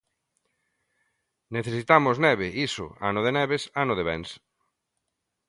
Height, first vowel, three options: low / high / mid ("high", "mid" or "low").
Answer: mid